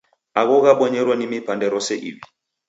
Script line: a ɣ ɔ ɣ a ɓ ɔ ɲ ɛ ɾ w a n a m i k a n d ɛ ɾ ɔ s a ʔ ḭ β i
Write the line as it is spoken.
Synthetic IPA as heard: a ɣ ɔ ɣ a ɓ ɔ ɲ ɛ ɾ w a n i m i p a n d ɛ ɾ ɔ s ɛ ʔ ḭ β i

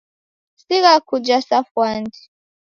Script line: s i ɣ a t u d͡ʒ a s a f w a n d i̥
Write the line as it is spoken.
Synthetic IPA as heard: s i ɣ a k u d͡ʒ a s a f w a n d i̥

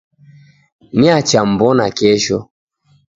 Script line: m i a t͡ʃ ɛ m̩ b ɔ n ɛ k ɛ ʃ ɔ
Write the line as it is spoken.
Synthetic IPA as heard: n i a t͡ʃ a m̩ b ɔ n a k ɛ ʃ ɔ

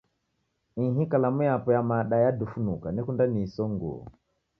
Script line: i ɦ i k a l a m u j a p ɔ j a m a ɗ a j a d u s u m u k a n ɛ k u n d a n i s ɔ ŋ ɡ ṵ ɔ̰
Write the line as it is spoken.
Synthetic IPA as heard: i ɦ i k a l a m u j a p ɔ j a m a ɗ a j a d u f u n u k a n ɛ k u n d a n i s ɔ ŋ ɡ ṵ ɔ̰

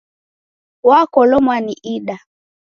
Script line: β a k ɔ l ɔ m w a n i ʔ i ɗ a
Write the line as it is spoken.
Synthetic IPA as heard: w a k ɔ l ɔ m w a n i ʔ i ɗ a

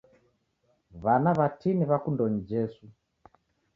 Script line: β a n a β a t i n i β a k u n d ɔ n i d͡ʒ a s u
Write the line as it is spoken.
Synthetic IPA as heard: β a n a β a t i n i β a k u n d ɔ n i d͡ʒ ɛ s u

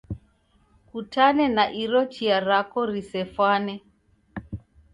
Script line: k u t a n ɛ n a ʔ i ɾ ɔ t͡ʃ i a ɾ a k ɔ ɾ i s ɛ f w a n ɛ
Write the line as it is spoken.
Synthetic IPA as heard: k u t a n ɛ n a ʔ i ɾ ɔ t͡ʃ i a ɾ a k ɔ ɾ i s ɛ f w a n ɛ

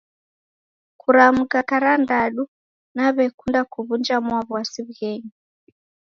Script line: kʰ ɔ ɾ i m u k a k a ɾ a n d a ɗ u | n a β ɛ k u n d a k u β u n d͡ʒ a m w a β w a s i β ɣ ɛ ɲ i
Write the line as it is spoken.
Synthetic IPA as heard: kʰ u ɾ a m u k a k a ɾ a n d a ɗ u | n a β ɛ k u n d a k u β u n d͡ʒ a m w a β w a s i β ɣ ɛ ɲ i

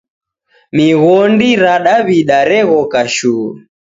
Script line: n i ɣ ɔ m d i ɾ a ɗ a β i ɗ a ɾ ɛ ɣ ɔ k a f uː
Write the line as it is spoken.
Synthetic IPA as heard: m i ɣ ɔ n d i ɾ a ɗ a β i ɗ a ɾ ɛ ɣ ɔ k a ʃ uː

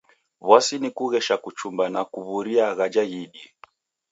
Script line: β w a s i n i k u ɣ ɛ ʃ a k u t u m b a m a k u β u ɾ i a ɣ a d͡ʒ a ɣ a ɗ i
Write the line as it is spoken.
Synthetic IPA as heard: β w a s i n i k u ɣ ɛ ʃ a k u t͡ʃ u m b a n a k u β u ɾ i a ɣ a d͡ʒ a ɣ i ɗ i

